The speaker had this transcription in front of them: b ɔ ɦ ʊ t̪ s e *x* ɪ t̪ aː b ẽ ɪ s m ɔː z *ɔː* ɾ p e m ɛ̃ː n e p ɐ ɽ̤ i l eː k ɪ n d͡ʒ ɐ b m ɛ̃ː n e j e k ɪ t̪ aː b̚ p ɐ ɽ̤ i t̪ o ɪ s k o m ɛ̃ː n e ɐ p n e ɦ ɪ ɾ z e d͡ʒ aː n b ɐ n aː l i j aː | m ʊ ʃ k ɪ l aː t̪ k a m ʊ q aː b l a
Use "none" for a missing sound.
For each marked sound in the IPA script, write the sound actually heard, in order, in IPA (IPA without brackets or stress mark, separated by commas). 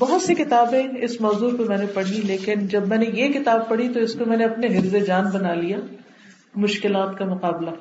k, uː